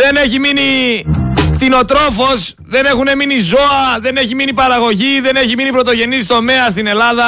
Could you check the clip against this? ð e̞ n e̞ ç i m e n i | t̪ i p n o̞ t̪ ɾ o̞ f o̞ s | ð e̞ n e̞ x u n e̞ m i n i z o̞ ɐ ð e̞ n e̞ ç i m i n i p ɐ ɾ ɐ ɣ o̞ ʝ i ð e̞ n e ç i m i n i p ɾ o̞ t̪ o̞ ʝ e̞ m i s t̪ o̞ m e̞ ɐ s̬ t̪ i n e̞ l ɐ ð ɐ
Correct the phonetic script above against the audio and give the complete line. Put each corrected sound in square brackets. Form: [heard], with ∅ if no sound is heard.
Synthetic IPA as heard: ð e̞ n e̞ ç i m [i] n i | t̪ i [∅] n o̞ t̪ ɾ o̞ f o̞ s | ð e̞ n e̞ x u n e̞ m i n i z o̞ ɐ ð e̞ n e̞ ç i m i n i p ɐ ɾ ɐ ɣ o̞ ʝ i ð e̞ n e ç i m i n i p ɾ o̞ t̪ o̞ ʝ e̞ [n] i s t̪ o̞ m e̞ ɐ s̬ t̪ i n e̞ l ɐ ð ɐ